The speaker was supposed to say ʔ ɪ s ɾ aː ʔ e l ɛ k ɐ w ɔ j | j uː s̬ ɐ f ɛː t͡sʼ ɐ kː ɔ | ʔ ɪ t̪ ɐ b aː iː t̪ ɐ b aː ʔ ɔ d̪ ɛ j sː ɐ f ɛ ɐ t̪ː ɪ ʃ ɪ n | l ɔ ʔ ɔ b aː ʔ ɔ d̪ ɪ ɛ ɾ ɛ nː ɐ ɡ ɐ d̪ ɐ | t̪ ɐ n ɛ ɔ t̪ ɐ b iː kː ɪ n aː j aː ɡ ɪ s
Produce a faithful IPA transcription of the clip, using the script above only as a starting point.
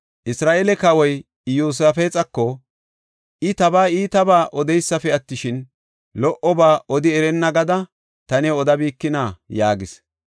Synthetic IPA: ʔ ɪ s ɾ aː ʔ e l ɛ k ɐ w ɔ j | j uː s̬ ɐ f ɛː t͡sʼ ɐ kː ɔ | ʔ ɪ t̪ ɐ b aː iː t̪ ɐ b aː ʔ ɔ d̪ ɛ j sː ɐ f ɛ ɐ t̪ː ɪ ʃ ɪ n | l ɔ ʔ ɔ b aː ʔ ɔ d̪ ɪ ɛ ɾ ɛ nː ɐ ɡ ɐ d̪ ɐ | t̪ ɐ n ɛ ɔ d̪ ɐ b iː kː ɪ n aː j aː ɡ ɪ s